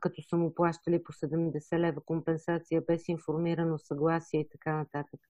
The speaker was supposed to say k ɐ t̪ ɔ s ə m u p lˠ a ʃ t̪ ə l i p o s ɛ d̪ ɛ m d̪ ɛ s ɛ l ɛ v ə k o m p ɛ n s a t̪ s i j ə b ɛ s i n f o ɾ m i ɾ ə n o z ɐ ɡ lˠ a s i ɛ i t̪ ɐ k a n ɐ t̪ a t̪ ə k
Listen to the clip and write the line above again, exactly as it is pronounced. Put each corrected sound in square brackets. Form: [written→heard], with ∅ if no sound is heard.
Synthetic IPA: k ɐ t̪ ɔ s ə m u p lˠ a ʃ t̪ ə l i p o s ɛ d̪ ɛ m d̪ ɛ s ɛ l ɛ v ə k o m p ɛ n s a t̪ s i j ə b ɛ s i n f o ɾ m i ɾ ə n o [z→s] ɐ ɡ lˠ a s i ɛ i t̪ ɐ k a n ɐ t̪ a t̪ ə k